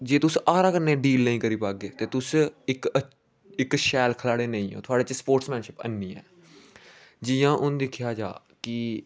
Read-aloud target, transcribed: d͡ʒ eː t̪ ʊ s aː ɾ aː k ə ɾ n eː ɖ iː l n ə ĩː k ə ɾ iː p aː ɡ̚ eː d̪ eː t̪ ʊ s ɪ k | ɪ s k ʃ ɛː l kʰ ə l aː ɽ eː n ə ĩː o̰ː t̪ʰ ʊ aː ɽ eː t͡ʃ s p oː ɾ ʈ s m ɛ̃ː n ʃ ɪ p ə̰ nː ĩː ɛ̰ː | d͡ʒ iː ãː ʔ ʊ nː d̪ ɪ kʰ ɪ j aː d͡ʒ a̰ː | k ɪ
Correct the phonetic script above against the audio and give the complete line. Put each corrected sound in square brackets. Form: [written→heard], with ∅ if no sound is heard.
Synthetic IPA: d͡ʒ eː t̪ ʊ s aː ɾ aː k ə ɾ n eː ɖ iː l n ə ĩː k ə ɾ iː p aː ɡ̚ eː [d̪→t̪] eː t̪ ʊ s ɪ k | ɪ [s→∅] k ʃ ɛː l kʰ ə l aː ɽ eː n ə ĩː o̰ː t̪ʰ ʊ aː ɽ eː t͡ʃ s p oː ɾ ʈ s m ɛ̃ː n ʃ ɪ p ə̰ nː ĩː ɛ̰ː | d͡ʒ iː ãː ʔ ʊ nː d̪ ɪ kʰ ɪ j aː d͡ʒ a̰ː | k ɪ